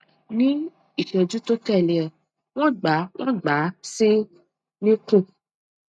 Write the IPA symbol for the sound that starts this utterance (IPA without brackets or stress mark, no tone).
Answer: n